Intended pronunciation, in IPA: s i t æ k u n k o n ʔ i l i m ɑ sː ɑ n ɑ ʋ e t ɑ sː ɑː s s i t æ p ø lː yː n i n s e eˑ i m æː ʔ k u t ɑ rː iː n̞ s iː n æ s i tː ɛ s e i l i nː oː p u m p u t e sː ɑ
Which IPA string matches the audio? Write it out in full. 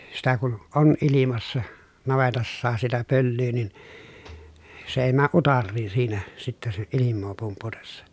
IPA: s i t æ k u n ʔ o n ʔ i l i m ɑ sː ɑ n ɑ ʋ e t ɑ sː ɑː s s i t æ p ø lː yː n i n s e eˑ i m æː ʔ ʔ u t ɑ rː iː n̞ s iː n æ s i tː ɛ s e i l i mː oː p u m p u t e sː ɑ